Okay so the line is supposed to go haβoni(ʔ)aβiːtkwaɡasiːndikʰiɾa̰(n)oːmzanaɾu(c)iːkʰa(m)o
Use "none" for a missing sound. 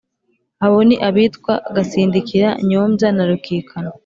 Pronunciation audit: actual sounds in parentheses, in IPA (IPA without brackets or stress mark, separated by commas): ʔ, ɲ, k, n